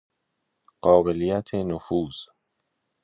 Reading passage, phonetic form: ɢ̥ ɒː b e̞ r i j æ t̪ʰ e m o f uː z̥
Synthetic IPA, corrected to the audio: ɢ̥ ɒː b e̞ l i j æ t̪ʰ e n o f uː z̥

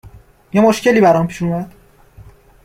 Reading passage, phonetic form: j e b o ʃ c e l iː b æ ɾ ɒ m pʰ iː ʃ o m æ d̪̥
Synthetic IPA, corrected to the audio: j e m o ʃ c e l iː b æ ɾ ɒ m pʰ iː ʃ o m æ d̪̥

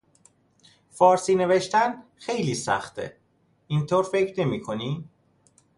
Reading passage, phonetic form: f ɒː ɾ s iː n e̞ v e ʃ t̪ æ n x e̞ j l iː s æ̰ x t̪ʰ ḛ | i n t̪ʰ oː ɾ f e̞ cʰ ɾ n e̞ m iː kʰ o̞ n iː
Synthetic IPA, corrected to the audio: f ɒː ɾ s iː n e̞ v e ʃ t̪ æ n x e̞ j l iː s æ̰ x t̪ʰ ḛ | i n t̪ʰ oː ɾ f e̞ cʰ ɾ n e̞ m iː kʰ o̞ n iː

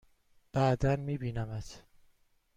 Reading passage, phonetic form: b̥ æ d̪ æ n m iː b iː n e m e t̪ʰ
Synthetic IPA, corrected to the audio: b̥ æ d̪ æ n m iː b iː n æ m æ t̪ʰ

